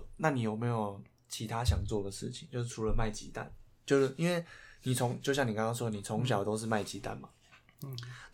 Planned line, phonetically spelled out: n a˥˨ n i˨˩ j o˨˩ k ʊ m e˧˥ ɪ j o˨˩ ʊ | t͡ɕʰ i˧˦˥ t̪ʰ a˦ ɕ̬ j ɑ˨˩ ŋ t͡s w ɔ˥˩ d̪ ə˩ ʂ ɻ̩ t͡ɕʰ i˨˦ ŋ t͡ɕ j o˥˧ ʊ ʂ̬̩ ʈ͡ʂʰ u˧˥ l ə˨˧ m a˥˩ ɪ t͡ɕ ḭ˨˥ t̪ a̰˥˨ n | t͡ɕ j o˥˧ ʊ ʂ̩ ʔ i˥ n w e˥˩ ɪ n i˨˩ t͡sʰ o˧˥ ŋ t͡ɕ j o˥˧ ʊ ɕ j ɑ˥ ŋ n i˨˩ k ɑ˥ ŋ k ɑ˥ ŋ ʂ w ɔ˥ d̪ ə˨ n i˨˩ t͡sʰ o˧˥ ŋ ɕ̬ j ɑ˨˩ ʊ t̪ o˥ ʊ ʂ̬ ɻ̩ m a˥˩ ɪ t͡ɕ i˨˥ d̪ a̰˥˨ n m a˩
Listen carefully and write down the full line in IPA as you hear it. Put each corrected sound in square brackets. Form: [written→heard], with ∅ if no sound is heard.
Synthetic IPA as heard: n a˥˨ n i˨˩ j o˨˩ [k→∅] ʊ m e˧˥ ɪ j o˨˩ ʊ | t͡ɕʰ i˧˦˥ t̪ʰ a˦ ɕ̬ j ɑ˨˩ ŋ t͡s w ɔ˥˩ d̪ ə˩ ʂ ɻ̩ t͡ɕʰ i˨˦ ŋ t͡ɕ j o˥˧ ʊ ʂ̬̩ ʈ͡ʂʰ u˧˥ l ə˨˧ m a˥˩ ɪ t͡ɕ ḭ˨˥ t̪ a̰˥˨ n | t͡ɕ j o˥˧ ʊ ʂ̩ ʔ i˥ n w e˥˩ ɪ n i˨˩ t͡sʰ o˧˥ ŋ t͡ɕ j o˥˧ ʊ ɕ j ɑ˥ ŋ n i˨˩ k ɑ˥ ŋ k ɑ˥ ŋ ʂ w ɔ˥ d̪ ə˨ n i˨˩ t͡sʰ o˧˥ ŋ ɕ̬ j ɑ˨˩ ʊ t̪ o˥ ʊ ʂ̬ ɻ̩ m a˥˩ ɪ t͡ɕ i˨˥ [d̪→t̪] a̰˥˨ n m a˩